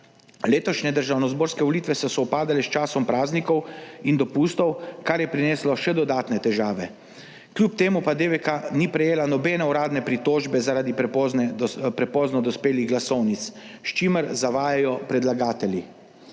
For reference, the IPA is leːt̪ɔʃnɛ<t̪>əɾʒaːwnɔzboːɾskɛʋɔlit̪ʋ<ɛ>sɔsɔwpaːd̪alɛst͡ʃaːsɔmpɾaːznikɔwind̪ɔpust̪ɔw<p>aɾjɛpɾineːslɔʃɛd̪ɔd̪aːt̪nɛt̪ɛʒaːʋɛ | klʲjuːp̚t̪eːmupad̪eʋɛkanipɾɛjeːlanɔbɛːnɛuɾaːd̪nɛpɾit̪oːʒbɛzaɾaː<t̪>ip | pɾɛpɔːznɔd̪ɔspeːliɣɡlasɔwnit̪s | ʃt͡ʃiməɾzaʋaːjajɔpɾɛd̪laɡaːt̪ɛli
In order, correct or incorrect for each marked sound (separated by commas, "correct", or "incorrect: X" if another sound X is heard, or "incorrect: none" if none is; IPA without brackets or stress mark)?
incorrect: d̪, correct, incorrect: k, incorrect: d̪